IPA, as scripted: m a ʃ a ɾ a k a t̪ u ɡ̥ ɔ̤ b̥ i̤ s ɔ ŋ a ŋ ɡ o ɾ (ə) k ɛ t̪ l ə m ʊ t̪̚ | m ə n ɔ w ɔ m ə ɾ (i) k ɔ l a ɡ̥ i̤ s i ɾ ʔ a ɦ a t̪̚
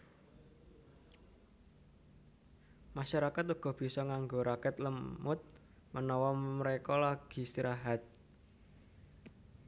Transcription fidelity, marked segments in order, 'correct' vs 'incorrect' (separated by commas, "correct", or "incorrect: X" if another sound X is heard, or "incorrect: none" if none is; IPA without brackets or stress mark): incorrect: a, incorrect: e